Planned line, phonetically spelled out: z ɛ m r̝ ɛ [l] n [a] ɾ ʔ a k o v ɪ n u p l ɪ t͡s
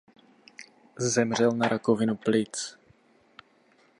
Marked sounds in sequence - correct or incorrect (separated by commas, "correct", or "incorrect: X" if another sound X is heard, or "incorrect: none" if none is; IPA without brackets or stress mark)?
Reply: correct, correct